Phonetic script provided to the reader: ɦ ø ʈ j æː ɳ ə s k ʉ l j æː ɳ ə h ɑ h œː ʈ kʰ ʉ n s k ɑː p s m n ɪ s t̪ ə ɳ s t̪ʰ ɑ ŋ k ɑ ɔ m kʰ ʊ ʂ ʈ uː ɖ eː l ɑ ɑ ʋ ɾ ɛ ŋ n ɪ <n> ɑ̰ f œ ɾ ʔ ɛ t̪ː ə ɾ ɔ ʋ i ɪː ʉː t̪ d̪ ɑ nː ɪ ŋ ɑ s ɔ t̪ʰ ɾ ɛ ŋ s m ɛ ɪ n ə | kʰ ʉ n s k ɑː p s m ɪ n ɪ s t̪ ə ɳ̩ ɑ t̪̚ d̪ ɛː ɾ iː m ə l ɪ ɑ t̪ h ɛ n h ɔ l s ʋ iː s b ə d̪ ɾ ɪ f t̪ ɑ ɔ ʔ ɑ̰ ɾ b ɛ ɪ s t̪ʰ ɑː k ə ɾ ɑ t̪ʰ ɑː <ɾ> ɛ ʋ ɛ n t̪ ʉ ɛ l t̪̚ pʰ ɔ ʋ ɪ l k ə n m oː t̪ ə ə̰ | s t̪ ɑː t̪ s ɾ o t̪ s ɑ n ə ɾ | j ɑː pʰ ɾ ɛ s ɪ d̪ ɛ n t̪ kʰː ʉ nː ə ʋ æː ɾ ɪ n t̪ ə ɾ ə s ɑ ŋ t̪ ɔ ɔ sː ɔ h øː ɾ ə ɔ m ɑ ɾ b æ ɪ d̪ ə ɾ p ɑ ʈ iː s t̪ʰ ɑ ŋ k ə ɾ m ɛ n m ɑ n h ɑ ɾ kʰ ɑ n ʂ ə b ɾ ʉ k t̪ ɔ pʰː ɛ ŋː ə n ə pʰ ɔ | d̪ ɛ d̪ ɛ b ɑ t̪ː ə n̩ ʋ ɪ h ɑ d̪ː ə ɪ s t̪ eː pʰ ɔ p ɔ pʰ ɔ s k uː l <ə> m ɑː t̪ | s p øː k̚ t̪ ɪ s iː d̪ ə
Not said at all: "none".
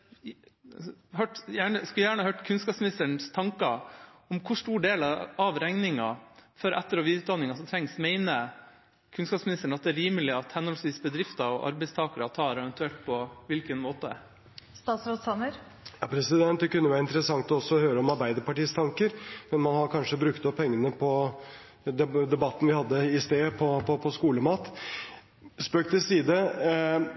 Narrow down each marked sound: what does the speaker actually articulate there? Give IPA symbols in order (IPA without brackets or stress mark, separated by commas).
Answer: ŋ, ɾ, ə